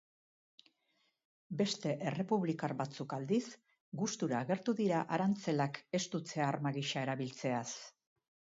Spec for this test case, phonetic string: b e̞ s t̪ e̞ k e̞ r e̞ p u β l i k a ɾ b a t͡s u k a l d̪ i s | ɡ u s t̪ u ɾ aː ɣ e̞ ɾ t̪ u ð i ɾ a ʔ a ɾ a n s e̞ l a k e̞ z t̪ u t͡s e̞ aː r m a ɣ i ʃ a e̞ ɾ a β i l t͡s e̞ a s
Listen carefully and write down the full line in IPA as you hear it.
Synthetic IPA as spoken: b e̞ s t̪ e̞ ʔ e̞ r e̞ p u β l i k a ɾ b a t͡s u k a l d̪ i s | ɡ u s t̪ u ɾ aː ɣ e̞ ɾ t̪ u ð i ɾ a ʔ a ɾ a n t͡s e̞ l a k e̞ s t̪ u t͡s e̞ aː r m a ɣ i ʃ a e̞ ɾ a β i l t͡s e̞ a s